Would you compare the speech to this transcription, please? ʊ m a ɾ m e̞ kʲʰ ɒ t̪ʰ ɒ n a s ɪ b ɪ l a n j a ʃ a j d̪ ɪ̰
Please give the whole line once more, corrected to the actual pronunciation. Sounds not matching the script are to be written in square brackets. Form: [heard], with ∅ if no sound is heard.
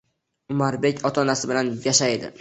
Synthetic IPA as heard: ʊ m a ɾ [b] e̞ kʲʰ ɒ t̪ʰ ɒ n a s ɪ b ɪ l a n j a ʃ a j d̪ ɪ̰